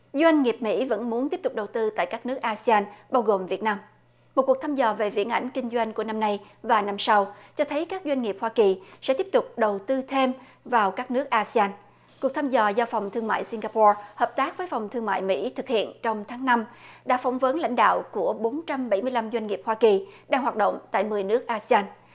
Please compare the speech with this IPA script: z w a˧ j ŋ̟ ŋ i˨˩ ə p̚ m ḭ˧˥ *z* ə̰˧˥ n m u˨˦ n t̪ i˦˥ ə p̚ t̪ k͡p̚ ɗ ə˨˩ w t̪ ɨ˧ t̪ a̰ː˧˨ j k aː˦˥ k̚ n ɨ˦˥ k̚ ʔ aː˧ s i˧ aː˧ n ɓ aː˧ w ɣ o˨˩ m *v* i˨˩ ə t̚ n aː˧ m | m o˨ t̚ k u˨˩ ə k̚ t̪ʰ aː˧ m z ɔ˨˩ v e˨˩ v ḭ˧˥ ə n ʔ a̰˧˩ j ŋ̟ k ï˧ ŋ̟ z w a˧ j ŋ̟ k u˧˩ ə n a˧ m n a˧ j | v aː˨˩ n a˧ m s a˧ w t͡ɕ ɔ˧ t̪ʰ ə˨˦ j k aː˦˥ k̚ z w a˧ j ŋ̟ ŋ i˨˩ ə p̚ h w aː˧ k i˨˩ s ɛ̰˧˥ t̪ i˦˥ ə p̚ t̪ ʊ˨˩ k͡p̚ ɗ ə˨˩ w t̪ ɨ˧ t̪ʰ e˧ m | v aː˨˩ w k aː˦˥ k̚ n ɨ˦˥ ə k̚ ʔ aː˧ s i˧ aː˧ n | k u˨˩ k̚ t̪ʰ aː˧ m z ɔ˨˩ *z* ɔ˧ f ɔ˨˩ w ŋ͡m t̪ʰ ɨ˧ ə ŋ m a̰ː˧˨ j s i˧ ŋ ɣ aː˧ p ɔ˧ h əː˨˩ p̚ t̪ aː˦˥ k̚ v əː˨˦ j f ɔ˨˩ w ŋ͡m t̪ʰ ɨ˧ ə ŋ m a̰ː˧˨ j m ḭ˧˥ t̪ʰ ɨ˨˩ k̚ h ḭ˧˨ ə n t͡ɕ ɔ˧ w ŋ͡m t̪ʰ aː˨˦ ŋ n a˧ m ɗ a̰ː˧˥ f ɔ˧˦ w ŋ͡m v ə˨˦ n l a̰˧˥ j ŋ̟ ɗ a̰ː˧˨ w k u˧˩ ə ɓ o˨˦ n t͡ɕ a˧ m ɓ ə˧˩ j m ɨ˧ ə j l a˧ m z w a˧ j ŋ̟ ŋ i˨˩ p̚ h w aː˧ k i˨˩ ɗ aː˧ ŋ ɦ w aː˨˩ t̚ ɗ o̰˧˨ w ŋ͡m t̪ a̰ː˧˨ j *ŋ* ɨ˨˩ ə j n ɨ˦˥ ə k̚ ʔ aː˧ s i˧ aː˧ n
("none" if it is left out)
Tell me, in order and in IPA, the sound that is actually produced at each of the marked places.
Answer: v, v, z, m

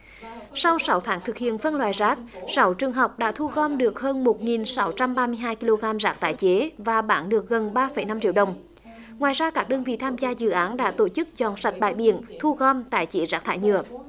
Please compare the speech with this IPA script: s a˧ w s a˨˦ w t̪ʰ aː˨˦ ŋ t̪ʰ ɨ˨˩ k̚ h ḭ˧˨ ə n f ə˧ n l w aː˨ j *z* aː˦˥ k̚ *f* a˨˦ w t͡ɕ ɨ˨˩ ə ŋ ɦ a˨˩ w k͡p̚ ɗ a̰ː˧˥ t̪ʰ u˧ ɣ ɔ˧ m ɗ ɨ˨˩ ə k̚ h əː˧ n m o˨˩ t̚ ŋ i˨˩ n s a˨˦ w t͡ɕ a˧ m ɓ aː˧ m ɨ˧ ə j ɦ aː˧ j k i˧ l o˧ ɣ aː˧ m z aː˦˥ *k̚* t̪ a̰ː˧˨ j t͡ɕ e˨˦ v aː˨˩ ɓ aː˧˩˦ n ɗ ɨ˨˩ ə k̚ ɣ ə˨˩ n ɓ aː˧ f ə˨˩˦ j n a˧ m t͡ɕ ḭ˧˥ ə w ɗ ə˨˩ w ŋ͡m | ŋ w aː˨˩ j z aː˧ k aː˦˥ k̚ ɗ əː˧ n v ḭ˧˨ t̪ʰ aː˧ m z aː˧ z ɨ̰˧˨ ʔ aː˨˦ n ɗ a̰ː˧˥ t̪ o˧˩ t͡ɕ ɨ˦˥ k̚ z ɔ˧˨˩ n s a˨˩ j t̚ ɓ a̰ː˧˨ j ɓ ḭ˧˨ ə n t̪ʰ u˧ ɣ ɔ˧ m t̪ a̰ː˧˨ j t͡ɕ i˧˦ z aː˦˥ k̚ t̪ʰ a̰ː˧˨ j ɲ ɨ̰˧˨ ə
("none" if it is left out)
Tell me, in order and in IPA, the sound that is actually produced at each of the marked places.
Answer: z, s, k̚

